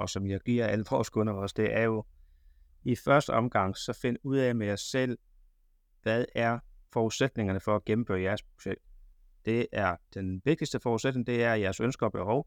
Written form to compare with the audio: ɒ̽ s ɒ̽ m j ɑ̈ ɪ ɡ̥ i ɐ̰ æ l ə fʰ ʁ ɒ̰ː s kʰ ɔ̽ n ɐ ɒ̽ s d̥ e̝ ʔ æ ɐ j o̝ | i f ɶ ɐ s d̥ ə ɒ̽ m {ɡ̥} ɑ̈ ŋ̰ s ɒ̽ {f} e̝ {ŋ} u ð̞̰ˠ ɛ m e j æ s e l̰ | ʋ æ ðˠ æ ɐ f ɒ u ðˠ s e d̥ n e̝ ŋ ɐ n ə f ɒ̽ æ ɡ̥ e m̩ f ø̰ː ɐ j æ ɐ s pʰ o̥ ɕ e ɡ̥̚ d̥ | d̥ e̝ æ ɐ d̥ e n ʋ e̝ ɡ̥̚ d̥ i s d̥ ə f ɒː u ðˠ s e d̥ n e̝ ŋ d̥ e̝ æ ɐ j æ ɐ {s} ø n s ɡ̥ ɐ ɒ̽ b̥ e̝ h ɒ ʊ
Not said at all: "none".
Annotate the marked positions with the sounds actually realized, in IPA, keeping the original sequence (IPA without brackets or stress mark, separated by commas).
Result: ɡ̥, f, n, s